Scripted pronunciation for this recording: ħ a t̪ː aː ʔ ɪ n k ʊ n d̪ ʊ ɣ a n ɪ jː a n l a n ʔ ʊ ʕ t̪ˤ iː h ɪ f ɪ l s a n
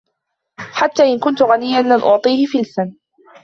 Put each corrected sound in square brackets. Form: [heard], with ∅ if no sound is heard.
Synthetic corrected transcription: ħ a t̪ː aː ʔ ɪ n k ʊ n [t̪] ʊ ɣ a n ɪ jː a n l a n ʔ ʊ ʕ t̪ˤ iː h ɪ f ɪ l s a n